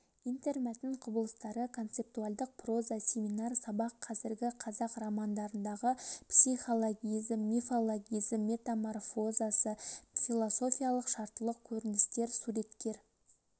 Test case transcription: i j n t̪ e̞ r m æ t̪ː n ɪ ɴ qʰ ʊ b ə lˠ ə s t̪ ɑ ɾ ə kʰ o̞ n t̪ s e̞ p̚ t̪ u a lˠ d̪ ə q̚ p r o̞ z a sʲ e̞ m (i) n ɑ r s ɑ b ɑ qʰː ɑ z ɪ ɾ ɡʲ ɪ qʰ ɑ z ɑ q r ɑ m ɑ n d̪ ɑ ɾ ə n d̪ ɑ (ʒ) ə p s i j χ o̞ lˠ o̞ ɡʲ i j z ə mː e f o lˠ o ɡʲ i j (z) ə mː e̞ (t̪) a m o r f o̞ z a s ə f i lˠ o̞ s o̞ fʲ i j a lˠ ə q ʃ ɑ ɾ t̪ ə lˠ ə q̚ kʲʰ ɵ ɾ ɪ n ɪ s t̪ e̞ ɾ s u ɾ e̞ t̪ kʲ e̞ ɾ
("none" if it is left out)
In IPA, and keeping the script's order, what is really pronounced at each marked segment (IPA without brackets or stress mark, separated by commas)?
i, ʁ, z, t̪